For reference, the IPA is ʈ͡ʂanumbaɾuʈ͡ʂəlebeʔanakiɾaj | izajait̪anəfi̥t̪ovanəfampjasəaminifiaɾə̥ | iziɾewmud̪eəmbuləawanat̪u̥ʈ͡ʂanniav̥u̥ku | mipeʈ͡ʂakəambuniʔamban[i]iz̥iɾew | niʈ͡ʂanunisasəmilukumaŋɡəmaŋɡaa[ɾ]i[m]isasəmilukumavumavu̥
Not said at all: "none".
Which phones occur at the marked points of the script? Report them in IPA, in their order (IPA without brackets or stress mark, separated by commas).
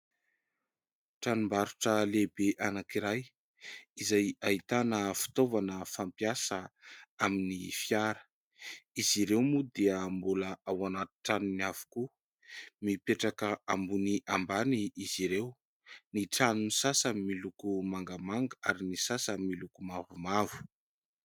i, ɾ, n